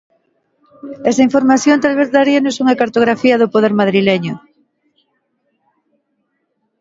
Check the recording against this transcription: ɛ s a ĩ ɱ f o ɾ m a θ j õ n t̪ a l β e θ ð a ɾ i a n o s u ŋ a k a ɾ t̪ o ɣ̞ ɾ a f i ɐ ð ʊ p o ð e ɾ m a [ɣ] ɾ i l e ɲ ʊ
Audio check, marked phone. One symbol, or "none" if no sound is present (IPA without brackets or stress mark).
ð